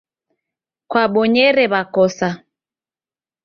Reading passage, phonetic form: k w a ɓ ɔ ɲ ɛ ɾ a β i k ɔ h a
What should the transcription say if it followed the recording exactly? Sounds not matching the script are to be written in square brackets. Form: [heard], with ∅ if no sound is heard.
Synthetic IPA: k w a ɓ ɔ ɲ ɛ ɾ [ɛ] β [a] k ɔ [s] a